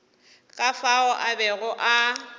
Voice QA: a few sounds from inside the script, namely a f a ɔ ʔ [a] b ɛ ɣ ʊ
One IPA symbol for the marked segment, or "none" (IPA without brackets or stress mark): a